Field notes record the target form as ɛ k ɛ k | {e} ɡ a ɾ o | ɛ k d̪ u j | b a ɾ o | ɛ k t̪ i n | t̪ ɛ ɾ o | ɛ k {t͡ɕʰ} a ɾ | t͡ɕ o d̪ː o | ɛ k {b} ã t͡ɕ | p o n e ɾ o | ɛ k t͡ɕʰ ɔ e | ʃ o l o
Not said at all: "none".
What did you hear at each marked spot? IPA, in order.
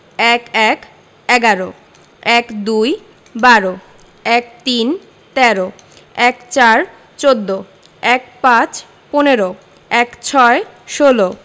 ɛ, t͡ɕ, p

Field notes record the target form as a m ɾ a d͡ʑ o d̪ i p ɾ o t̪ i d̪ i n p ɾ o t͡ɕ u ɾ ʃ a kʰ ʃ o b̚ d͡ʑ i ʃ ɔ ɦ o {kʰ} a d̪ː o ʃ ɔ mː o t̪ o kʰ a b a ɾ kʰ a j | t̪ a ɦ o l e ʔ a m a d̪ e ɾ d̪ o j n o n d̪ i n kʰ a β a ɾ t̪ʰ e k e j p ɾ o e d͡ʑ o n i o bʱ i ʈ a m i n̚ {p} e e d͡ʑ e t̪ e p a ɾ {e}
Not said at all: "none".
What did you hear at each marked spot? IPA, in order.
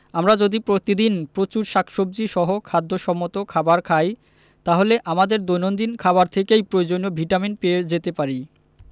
kʰ, p, i

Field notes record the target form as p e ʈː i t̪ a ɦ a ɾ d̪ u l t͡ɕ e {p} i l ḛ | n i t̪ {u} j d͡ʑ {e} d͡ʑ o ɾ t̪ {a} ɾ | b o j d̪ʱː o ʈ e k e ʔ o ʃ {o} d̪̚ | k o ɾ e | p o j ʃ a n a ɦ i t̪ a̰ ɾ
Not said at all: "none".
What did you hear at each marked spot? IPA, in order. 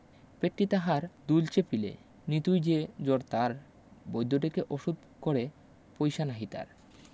p, u, e, a, u

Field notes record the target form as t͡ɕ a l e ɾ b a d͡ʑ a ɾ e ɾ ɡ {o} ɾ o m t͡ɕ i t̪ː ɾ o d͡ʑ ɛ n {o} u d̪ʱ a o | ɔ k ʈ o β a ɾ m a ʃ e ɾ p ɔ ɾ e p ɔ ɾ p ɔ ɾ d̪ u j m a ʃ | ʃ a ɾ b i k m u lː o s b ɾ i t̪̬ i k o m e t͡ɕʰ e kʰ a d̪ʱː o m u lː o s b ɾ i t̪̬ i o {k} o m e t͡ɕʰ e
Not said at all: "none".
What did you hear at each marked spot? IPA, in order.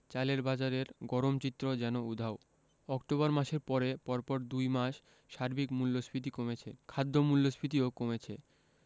ɔ, o, k

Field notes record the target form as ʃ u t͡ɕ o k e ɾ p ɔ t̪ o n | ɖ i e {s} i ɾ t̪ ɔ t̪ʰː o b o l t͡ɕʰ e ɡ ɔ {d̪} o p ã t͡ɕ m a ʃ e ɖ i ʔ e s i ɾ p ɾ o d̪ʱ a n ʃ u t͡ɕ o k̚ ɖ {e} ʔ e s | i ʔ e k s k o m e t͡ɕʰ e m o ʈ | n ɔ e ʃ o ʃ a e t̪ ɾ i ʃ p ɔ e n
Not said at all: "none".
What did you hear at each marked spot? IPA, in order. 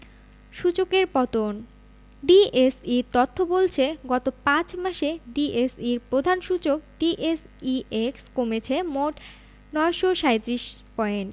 s, t̪, i

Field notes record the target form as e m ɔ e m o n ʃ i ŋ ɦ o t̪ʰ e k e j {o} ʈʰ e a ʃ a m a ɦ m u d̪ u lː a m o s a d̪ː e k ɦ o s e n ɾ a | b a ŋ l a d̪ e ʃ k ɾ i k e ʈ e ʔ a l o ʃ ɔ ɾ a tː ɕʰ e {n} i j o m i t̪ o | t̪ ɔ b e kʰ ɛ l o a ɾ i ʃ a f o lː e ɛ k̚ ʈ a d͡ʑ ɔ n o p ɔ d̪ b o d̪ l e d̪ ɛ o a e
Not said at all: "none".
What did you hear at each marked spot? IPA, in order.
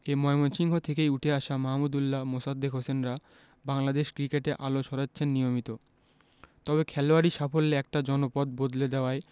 u, nː

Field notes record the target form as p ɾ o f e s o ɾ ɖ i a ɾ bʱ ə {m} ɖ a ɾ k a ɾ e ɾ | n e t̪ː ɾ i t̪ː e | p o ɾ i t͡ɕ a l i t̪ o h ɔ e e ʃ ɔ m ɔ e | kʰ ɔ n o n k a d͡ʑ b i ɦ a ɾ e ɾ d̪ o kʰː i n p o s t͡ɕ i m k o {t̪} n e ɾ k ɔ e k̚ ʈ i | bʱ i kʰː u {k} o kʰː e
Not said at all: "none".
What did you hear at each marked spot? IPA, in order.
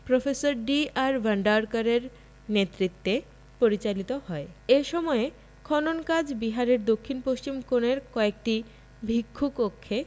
ɳ, none, k

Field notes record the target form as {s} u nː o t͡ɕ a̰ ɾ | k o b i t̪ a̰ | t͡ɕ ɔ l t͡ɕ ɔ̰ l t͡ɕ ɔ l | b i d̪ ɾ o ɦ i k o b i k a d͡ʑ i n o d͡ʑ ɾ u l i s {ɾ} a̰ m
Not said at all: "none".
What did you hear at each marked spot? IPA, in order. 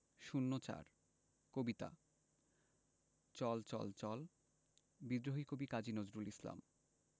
ʃ, l

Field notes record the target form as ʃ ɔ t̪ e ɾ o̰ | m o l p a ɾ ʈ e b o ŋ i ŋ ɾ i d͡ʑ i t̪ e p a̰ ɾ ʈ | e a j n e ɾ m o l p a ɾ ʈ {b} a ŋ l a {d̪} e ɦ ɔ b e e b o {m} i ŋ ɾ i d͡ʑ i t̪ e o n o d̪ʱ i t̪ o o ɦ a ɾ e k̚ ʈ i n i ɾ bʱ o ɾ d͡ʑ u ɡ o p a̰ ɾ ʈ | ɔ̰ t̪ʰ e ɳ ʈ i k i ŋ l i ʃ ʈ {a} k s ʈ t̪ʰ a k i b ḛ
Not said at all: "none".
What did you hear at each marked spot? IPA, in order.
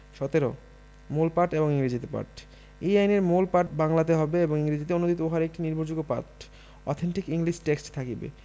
b, t̪, ŋ, e

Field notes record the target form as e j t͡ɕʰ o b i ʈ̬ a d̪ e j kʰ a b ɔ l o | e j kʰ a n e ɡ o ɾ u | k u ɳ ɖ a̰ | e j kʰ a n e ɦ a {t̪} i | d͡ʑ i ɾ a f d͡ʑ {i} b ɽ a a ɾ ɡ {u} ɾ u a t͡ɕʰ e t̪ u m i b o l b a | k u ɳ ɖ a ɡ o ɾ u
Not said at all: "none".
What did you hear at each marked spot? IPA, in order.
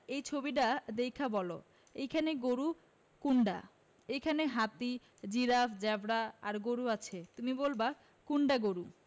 t̪, ɛ, o

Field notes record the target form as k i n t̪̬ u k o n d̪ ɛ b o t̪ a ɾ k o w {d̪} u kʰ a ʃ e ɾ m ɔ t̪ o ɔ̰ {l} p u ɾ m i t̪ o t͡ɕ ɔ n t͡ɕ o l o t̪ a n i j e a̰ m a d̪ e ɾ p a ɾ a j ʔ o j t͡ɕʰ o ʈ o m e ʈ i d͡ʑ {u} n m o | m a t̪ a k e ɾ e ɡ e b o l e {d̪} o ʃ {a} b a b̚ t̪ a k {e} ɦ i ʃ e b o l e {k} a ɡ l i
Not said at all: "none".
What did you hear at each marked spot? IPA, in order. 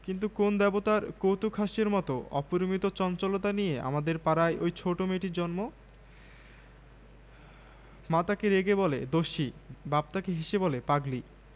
t̪, none, ɔ, d̪, i, e, p

